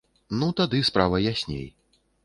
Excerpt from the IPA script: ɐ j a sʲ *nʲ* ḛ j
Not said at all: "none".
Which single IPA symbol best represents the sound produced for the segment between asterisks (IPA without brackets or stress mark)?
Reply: nʲ